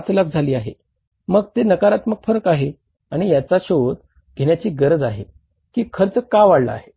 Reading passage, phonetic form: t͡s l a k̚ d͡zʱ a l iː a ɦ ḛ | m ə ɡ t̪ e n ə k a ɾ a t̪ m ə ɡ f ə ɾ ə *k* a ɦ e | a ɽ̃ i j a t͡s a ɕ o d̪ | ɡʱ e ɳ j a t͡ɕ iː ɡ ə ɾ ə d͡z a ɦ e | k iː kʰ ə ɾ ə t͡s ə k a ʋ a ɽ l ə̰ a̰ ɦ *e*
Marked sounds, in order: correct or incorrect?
correct, correct

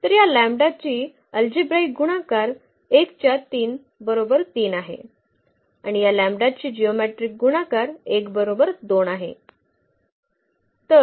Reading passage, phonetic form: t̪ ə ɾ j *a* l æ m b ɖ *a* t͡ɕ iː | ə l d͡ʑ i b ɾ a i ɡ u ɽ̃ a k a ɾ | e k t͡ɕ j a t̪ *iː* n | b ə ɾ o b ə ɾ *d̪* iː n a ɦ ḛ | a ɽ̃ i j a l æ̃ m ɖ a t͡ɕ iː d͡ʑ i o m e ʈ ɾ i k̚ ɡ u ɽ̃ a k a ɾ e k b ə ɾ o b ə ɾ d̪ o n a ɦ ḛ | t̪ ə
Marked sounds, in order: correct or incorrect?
correct, correct, correct, incorrect: t̪

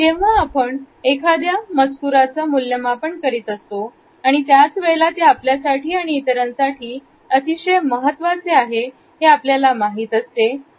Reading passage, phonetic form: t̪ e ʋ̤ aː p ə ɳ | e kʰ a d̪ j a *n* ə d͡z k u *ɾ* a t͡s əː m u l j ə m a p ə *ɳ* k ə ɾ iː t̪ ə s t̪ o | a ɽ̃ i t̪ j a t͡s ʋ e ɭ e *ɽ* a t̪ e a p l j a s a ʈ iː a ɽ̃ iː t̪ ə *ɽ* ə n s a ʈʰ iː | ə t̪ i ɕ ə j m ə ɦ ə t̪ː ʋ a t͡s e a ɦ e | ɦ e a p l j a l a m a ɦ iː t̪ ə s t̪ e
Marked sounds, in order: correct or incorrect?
incorrect: m, correct, correct, incorrect: l, incorrect: ɾ

